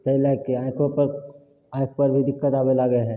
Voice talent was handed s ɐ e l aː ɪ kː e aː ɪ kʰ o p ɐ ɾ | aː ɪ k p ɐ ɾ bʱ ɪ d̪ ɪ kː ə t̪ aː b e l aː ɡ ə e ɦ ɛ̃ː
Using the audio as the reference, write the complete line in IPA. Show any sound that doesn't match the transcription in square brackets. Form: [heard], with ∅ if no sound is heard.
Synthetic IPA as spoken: s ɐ [i] l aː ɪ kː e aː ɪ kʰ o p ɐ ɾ | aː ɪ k p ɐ ɾ bʱ [i] d̪ ɪ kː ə t̪ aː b e l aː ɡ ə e ɦ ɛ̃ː